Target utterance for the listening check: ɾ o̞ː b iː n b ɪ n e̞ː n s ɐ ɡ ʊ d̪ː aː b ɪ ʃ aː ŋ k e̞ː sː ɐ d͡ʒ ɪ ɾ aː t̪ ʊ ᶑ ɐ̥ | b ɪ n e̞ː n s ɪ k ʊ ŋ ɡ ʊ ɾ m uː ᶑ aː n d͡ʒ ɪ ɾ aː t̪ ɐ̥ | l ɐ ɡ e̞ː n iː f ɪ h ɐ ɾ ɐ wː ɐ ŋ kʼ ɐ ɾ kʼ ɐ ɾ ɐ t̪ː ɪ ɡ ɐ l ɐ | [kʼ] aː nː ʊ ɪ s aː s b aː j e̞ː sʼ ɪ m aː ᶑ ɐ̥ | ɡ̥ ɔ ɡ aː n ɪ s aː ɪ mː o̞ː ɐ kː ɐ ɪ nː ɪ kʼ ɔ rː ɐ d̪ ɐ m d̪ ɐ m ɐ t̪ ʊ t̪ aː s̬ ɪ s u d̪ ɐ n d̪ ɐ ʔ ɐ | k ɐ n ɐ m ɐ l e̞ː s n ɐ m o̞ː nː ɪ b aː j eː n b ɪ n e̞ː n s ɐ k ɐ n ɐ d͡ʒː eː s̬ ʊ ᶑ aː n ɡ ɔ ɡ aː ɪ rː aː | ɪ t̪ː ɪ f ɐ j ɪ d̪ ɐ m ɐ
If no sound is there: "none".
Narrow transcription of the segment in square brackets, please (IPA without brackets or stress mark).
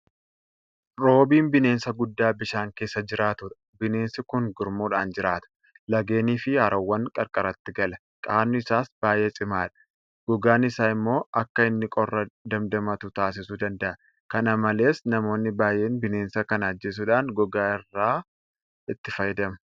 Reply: kʼ